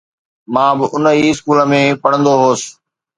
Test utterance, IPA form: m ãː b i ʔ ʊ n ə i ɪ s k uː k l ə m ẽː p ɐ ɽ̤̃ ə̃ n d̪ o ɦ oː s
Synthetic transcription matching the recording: m ãː b ɪ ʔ ʊ n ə i ɪ s k uː l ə m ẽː p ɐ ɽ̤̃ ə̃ n d̪ o ɦ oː s